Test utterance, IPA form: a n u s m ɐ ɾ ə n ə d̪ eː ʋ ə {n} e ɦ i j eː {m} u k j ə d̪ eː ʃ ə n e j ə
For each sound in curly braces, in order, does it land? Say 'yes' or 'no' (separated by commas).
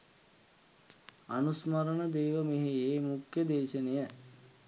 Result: no, yes